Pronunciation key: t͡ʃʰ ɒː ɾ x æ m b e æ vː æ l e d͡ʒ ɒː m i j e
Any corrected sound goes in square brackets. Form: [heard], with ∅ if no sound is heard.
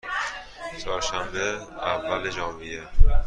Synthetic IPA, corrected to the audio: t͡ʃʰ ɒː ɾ [ʃ] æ m b e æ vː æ l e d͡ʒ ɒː m i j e